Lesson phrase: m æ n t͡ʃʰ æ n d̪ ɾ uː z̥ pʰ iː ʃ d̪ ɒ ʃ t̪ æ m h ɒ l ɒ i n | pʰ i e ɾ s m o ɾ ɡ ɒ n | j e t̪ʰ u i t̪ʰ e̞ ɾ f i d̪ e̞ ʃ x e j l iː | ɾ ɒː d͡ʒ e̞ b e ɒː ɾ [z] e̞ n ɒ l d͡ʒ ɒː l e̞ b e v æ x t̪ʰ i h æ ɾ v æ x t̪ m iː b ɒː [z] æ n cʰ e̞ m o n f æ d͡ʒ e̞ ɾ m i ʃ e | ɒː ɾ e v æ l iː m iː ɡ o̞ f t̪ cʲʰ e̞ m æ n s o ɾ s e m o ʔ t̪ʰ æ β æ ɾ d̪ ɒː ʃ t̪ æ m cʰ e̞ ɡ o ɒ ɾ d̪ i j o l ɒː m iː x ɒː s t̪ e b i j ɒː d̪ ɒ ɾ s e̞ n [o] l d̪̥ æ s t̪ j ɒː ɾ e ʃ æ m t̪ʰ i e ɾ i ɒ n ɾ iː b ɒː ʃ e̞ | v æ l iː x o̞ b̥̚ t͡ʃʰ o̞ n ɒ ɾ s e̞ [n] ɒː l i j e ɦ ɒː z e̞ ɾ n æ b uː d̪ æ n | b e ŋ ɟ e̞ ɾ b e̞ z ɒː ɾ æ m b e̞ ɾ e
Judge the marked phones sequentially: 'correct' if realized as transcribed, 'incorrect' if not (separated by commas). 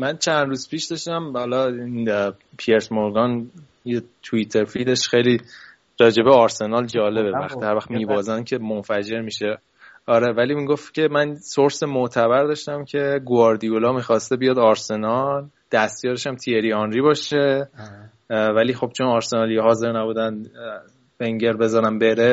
incorrect, correct, incorrect, correct